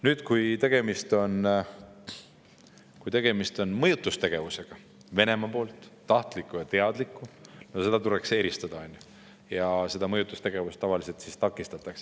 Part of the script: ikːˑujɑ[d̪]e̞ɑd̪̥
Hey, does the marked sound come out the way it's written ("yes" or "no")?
no